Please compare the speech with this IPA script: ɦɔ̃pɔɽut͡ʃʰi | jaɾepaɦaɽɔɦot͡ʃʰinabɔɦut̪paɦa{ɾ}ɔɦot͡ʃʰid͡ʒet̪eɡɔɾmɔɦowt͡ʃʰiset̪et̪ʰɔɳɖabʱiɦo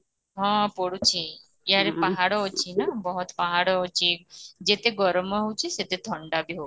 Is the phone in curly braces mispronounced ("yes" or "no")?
yes